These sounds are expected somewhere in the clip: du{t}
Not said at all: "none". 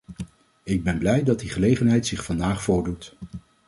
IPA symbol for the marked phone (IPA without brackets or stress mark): t